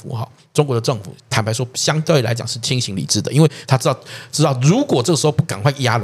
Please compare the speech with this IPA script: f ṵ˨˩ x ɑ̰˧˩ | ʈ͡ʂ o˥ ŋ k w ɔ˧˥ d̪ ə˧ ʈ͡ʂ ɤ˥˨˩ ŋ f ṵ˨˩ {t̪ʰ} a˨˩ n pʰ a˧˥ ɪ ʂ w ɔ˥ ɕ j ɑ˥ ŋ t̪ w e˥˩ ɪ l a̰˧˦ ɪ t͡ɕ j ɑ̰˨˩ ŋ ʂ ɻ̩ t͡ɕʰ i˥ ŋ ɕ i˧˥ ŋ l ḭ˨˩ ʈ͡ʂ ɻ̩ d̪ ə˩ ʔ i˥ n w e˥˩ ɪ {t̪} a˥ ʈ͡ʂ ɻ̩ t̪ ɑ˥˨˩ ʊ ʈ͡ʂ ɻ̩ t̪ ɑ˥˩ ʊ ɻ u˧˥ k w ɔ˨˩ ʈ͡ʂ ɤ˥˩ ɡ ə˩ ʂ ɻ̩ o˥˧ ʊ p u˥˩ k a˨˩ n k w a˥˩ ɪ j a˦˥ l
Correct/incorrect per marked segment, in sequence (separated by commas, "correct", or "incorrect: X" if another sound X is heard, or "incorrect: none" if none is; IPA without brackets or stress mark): correct, incorrect: t̪ʰ